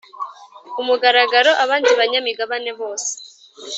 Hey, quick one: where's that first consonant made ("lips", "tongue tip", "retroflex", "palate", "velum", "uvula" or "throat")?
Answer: lips